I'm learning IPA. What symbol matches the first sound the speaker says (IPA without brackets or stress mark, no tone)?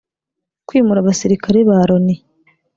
k